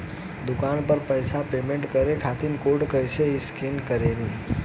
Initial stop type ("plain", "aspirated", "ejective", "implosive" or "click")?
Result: plain